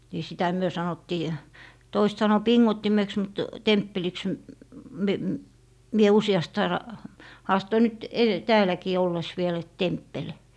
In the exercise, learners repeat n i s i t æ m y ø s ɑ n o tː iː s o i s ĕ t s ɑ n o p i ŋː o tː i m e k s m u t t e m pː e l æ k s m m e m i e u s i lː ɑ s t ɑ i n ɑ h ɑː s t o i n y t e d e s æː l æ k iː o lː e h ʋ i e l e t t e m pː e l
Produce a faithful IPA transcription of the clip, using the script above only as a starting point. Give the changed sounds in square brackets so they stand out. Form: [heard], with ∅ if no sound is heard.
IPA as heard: n i s i t æ m y ø s ɑ n o tː iː [t] o i s ĕ t s ɑ n o p i ŋː o tː i m e k s m u t t e m pː e l [i] k s m m e m i e u s i [∅] ɑ s t ɑ i n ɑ h ɑː s t o i n y t e d e [t] æː l æ k iː o lː e [s] ʋ i e l e t t e m pː e l